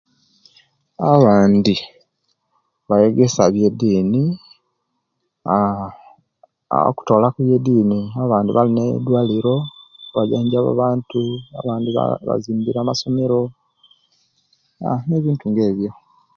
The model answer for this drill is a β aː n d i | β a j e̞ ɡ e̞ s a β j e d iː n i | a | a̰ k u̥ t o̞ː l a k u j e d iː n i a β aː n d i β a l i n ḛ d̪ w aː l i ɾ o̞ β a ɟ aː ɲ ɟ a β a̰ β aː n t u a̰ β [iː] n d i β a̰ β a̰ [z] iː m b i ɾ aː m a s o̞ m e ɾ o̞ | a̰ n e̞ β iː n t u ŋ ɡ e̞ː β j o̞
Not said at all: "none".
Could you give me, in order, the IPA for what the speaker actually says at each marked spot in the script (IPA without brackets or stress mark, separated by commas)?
aː, z